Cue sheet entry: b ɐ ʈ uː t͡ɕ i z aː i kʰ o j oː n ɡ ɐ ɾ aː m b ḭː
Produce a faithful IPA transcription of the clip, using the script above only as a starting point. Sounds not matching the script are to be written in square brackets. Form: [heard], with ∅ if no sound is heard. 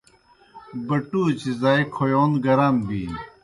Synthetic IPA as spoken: b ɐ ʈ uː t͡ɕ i z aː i kʰ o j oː n ɡ ɐ ɾ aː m b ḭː